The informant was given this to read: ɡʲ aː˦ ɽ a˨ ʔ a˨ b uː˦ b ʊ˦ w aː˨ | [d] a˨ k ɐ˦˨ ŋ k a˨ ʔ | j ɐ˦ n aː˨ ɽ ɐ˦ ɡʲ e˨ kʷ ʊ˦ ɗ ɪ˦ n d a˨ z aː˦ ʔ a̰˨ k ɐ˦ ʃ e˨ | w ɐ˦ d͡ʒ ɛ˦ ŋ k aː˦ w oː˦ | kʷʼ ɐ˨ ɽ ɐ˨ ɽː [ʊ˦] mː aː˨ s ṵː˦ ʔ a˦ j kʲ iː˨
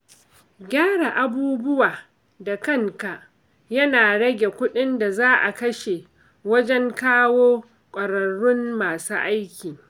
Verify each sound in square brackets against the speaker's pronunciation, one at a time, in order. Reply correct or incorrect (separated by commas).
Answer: correct, correct